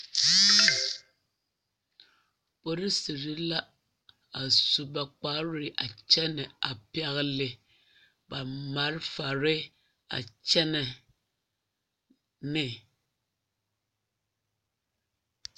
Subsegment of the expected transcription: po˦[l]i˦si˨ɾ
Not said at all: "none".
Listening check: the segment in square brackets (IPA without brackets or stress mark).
ɾ